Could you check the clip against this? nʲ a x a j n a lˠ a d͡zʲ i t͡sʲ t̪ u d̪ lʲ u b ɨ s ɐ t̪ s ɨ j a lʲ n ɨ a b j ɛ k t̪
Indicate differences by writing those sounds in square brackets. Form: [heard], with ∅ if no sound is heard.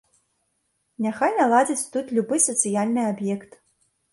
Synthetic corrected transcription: nʲ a x a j n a lˠ a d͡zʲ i t͡sʲ t̪ u [t̪] lʲ u b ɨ s ɐ t̪ s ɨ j a lʲ n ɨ a b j ɛ k t̪